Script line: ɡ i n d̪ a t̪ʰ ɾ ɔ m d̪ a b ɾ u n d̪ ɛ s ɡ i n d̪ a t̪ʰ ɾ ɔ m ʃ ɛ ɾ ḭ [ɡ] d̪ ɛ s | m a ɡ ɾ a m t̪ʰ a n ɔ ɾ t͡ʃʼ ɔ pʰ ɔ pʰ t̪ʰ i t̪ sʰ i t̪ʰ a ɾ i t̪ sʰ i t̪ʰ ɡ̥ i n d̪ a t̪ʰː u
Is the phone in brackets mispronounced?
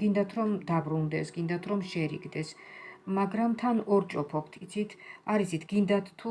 no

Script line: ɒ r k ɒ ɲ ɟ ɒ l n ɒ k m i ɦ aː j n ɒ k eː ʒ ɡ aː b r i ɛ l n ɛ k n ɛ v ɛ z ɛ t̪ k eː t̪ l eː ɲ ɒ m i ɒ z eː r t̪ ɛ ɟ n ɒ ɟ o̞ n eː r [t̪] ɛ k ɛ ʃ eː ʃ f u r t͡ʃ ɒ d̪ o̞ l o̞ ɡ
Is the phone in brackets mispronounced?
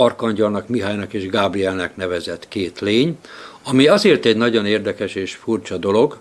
yes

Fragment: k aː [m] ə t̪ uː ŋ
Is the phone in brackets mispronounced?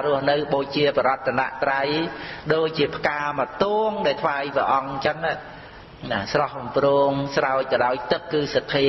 no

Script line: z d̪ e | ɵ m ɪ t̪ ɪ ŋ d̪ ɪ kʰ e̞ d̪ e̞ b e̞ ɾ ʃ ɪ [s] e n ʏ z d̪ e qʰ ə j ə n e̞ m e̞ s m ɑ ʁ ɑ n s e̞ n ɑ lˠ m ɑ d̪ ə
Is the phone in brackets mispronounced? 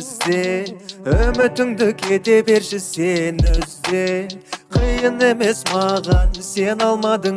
no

